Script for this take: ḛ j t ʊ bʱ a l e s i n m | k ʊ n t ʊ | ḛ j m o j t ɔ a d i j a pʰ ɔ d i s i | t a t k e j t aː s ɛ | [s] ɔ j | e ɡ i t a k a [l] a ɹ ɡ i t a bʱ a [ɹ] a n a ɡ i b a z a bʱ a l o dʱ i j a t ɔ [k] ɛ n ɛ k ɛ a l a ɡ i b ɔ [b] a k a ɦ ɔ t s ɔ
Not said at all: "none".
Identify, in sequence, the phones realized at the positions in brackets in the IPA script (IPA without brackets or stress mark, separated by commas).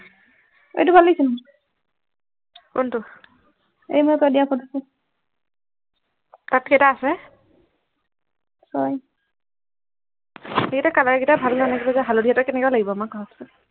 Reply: s, l, l, k, m